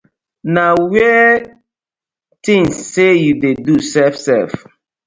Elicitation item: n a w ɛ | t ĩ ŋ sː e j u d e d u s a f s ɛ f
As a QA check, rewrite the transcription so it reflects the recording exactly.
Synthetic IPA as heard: n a w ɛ | t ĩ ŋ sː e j u d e d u s ɛ f s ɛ f